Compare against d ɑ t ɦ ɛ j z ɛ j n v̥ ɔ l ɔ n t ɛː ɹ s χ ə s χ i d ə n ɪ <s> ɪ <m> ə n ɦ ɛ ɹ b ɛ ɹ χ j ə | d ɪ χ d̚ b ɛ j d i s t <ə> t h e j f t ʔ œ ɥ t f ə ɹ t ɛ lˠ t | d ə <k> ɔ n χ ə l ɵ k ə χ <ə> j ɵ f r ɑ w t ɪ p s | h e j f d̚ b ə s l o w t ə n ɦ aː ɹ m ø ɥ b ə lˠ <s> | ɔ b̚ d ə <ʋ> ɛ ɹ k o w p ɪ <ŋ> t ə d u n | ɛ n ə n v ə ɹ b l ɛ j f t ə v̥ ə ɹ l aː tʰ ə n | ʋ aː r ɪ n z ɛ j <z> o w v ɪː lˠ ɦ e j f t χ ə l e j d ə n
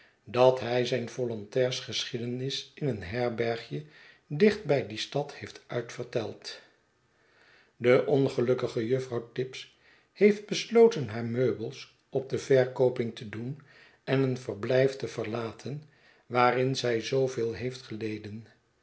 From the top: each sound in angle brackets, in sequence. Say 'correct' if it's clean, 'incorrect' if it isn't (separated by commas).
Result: correct, incorrect, incorrect, incorrect, correct, correct, incorrect, correct, correct